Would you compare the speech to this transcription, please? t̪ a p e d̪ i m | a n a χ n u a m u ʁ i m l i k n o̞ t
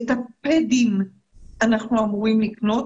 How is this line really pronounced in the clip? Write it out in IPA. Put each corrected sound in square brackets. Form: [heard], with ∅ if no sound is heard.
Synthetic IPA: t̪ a p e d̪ i m | a n a χ n u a m u ʁ i m l i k n o̞ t